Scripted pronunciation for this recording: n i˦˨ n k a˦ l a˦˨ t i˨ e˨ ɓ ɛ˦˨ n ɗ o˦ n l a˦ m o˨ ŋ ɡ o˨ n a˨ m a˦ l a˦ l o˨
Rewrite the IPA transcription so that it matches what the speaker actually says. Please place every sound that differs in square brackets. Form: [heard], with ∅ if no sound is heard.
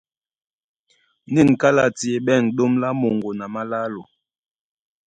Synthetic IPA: n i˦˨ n k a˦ l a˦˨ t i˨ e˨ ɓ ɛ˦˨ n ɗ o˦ [m] l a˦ m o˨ ŋ ɡ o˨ n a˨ m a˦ l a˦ l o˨